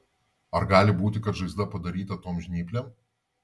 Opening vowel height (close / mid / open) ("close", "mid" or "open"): open